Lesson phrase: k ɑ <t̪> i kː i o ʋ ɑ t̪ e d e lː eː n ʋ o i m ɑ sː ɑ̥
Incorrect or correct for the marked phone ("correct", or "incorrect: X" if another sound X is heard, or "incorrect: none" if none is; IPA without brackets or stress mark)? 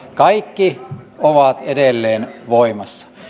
incorrect: none